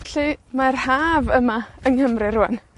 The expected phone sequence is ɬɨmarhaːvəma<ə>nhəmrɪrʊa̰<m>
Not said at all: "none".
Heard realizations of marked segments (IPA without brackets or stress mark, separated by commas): ə, n